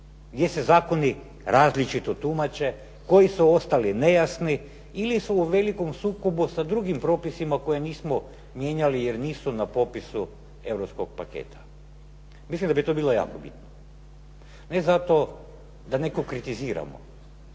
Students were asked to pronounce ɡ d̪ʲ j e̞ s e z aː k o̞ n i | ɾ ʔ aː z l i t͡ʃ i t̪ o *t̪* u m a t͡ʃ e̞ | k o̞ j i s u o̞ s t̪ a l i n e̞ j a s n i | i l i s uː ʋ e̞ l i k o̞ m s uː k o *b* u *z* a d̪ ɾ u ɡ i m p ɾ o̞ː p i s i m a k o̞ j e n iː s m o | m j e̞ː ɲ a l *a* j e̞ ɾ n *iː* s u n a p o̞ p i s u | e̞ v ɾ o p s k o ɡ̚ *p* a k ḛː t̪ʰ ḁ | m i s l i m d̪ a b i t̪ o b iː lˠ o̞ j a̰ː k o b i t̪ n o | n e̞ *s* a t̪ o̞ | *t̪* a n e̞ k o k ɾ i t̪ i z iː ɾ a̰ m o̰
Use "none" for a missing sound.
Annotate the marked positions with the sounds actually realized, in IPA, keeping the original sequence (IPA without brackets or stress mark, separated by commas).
t̪, b, s, i, iː, p, z, d̪